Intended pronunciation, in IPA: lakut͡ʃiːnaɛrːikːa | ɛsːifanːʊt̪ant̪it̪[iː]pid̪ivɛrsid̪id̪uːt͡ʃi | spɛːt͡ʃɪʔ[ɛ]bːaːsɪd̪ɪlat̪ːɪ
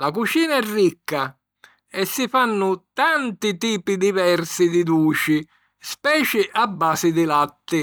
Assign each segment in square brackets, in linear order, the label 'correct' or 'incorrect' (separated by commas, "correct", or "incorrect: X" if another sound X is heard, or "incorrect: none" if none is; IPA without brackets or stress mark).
correct, incorrect: a